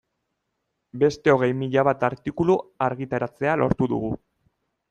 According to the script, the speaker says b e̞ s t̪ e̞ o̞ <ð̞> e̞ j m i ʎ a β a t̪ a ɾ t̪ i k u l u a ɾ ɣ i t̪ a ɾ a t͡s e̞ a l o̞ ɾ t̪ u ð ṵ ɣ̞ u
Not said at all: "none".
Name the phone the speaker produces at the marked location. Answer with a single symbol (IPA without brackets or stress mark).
ɣ̞